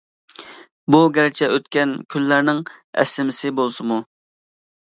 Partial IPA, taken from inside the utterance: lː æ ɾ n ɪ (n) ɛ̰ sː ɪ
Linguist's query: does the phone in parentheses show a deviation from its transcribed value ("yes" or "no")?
yes